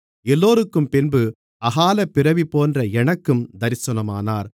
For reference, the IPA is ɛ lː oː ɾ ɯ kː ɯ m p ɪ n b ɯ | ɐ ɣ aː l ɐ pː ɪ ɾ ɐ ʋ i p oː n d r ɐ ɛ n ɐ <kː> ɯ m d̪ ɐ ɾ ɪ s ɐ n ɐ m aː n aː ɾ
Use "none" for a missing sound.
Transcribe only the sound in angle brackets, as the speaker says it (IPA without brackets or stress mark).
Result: kː